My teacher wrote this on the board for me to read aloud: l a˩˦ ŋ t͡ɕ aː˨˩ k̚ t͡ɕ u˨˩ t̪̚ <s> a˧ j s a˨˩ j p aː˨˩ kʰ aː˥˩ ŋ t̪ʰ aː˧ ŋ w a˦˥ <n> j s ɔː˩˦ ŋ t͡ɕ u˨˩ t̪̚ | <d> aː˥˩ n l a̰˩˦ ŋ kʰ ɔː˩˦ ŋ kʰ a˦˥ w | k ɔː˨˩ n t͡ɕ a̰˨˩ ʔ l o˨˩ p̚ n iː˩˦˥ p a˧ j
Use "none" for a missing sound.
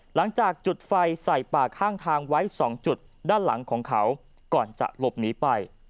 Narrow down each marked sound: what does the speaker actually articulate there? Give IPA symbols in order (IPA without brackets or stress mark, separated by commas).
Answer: f, none, d